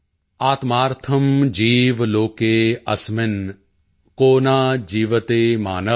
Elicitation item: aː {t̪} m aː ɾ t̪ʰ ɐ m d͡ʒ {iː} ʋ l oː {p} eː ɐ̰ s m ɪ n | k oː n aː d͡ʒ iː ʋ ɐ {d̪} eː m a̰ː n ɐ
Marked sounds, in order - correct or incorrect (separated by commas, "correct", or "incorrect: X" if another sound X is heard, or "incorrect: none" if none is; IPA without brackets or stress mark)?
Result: correct, correct, incorrect: k, incorrect: t̪